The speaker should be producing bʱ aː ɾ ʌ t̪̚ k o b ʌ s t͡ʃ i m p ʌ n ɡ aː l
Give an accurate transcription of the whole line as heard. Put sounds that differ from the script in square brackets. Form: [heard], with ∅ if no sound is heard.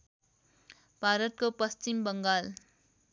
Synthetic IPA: bʱ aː ɾ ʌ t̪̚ k o [p] ʌ s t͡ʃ i m [b] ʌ [ŋ] ɡ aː l